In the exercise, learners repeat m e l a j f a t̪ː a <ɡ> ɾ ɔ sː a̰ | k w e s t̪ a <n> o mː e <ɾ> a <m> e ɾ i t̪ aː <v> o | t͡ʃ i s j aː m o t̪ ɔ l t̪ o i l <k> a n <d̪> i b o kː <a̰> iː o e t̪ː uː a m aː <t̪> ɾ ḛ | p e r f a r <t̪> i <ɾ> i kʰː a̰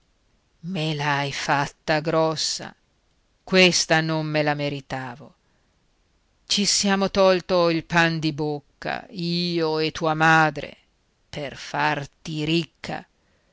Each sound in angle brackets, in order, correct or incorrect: correct, correct, incorrect: l, correct, correct, incorrect: p, correct, correct, incorrect: d̪, correct, correct

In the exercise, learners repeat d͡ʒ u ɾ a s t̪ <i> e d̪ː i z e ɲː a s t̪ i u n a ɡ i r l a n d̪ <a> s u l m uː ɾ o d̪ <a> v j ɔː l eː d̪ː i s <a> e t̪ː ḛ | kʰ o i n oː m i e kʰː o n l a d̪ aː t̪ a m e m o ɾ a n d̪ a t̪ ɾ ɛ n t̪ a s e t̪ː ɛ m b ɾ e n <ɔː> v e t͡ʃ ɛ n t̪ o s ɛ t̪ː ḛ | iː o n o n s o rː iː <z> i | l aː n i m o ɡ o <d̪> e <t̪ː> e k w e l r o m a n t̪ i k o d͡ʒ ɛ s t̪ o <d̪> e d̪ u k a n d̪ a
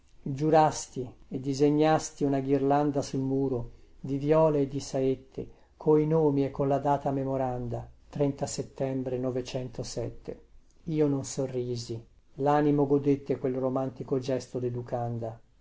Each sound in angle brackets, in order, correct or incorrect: correct, correct, incorrect: i, correct, incorrect: ɔ, correct, correct, correct, correct

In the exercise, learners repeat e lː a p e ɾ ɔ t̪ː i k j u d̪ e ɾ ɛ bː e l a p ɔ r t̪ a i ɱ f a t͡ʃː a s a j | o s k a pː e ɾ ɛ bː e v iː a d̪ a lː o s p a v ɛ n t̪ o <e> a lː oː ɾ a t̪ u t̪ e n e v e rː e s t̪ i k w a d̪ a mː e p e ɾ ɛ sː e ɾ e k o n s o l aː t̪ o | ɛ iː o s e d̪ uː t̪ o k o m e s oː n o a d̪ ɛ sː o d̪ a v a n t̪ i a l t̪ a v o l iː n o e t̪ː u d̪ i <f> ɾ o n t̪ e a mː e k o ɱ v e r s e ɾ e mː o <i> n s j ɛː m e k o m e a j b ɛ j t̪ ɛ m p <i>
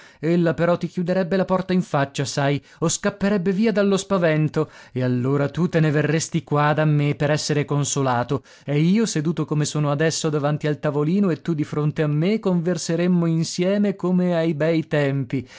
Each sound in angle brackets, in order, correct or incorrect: correct, correct, correct, correct

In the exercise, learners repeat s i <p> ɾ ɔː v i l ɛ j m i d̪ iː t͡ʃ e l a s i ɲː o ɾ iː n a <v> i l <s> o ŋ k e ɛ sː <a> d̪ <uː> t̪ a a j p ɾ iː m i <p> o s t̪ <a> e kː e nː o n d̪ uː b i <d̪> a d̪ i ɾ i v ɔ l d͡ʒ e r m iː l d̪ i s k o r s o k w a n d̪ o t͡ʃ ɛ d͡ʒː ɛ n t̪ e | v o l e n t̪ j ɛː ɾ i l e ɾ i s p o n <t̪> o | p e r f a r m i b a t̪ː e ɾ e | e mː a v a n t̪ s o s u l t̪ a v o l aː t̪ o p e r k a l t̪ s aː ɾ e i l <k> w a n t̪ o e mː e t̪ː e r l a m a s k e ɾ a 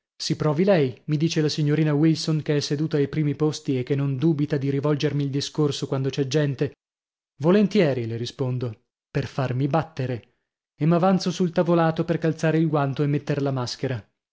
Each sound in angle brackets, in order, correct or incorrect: correct, incorrect: w, correct, incorrect: e, correct, correct, incorrect: i, incorrect: t̪, incorrect: d̪, incorrect: ɡ

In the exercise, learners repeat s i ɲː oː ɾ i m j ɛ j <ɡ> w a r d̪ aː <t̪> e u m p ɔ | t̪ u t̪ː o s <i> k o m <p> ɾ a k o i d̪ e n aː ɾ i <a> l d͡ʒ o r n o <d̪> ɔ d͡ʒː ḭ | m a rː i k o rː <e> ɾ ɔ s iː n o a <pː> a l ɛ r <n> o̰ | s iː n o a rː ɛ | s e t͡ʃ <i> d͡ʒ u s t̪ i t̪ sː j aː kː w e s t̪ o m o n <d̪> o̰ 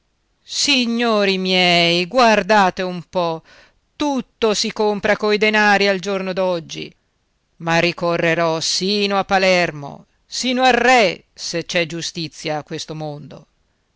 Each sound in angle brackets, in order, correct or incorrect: correct, correct, correct, correct, correct, correct, correct, correct, incorrect: m, incorrect: ɛ, correct

